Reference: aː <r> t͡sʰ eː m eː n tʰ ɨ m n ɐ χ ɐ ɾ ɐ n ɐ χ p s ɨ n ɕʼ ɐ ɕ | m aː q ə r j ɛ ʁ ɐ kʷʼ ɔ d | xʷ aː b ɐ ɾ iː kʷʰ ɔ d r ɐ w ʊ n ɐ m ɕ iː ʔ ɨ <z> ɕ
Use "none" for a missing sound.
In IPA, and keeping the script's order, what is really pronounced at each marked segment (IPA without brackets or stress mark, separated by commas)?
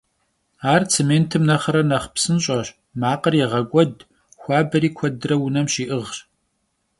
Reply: r, ʁ